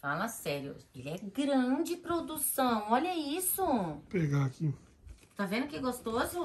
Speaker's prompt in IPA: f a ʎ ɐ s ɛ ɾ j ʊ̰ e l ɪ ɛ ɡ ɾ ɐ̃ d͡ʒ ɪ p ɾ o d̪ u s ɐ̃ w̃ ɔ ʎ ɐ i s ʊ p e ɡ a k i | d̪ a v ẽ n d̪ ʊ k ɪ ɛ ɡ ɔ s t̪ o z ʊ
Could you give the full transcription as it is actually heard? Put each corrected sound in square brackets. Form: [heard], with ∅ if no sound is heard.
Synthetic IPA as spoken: f a [l] ɐ s ɛ ɾ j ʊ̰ e l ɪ ɛ ɡ ɾ ɐ̃ d͡ʒ ɪ p ɾ o d̪ u s ɐ̃ w̃ ɔ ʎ ɐ i s ʊ p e ɡ a k i | [t̪] a v ẽ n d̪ ʊ k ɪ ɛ ɡ [o] s t̪ o z ʊ